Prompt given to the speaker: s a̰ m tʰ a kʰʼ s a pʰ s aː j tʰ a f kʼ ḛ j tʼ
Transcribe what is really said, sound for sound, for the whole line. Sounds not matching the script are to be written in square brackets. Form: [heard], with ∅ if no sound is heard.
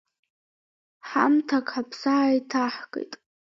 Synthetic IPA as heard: [ħ] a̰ m tʰ a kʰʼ [ħ] a pʰ s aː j tʰ a [ħ] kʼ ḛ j tʼ